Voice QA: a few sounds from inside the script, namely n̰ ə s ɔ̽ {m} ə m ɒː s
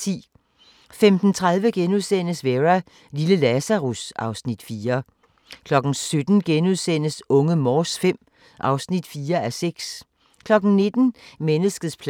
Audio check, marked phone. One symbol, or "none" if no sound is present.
ŋ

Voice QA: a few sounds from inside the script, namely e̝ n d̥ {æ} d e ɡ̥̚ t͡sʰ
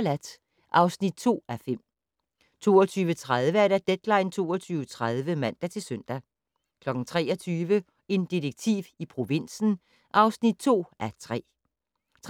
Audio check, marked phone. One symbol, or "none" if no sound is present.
i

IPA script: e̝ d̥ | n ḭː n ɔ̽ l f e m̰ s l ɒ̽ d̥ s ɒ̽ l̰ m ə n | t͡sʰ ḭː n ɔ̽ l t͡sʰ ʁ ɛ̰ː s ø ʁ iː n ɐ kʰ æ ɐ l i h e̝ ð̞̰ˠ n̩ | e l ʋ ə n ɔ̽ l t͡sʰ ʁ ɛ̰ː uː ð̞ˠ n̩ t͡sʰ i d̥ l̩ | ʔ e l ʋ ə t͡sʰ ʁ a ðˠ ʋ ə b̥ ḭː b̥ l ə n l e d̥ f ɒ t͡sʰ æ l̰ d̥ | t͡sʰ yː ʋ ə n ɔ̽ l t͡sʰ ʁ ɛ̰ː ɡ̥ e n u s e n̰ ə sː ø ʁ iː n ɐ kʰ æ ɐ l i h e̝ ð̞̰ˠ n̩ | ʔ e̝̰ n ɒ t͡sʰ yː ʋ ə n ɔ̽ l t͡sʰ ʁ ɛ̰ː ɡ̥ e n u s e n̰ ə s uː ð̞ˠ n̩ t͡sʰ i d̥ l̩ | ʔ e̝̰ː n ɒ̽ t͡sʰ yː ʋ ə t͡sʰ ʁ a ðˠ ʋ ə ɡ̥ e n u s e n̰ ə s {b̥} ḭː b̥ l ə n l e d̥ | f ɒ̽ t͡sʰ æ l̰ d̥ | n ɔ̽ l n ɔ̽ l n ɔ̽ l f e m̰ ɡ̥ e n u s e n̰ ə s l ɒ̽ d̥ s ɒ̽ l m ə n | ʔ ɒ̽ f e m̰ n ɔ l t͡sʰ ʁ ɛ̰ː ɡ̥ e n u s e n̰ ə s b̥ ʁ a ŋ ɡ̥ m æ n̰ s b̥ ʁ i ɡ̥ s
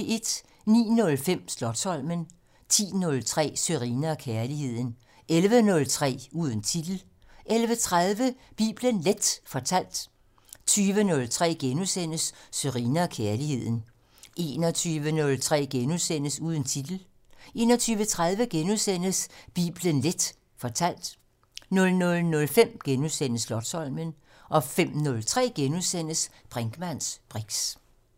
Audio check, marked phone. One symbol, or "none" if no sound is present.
b̥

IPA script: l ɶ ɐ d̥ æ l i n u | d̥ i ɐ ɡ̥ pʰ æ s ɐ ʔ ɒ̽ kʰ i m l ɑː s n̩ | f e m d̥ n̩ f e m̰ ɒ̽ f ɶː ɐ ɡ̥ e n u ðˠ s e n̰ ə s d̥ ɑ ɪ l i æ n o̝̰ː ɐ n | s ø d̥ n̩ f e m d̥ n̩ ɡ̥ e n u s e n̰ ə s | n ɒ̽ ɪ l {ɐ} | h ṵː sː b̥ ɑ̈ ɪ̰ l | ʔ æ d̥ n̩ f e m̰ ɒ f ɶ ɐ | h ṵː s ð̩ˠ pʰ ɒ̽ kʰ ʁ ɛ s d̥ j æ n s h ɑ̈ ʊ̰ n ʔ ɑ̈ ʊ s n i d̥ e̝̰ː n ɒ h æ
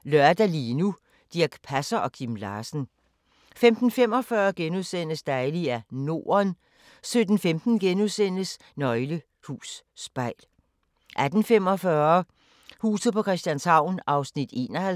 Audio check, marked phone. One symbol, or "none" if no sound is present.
ə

